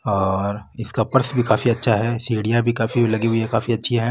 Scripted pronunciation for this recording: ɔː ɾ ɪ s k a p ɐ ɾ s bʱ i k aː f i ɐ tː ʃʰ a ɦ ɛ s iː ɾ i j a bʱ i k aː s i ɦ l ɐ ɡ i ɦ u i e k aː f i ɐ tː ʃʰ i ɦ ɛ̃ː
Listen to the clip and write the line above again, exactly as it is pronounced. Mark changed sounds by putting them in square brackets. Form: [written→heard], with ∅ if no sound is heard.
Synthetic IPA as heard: ɔː ɾ ɪ s k a p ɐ ɾ s bʱ i k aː f i ɐ tː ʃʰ a ɦ ɛ s iː [ɾ→ɽ] i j a bʱ i k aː [s→f] i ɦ l ɐ ɡ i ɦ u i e k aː f i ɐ tː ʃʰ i ɦ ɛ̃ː